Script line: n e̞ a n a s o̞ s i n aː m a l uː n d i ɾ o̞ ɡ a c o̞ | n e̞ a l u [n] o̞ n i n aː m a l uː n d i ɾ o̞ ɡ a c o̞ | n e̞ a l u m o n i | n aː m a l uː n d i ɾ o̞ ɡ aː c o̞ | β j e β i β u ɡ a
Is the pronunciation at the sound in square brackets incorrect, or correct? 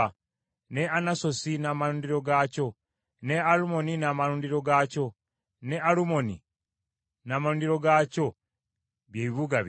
incorrect